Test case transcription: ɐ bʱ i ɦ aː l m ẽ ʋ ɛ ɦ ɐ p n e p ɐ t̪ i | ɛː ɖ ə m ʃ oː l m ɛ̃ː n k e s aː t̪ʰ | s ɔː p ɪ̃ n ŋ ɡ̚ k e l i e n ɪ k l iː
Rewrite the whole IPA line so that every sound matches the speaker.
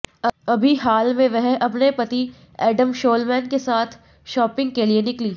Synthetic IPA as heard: ɐ bʱ i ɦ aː l m ẽ ʋ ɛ ɦ ɐ p n e p ɐ t̪ i | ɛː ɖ ə m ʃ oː l m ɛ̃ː n k e s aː t̪ʰ | ʃ ɔː p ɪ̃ ŋ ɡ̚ k e l i e n ɪ k l iː